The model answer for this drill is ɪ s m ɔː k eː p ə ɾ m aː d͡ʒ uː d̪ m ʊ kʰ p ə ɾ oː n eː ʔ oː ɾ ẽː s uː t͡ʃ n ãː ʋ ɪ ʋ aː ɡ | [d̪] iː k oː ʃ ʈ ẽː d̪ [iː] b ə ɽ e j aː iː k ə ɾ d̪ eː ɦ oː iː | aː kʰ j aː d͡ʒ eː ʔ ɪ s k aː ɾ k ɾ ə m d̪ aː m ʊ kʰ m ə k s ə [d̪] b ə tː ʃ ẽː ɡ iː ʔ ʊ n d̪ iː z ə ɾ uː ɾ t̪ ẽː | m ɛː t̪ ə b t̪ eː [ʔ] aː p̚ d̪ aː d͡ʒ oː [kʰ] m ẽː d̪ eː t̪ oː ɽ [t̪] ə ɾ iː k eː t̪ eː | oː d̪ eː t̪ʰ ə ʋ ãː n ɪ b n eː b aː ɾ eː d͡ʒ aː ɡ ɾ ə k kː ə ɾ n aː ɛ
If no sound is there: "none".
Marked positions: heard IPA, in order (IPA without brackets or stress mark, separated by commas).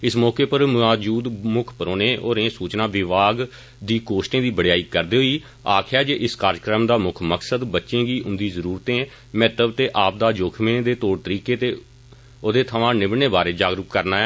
d̪, iː, d̪, ʔ, kʰ, t̪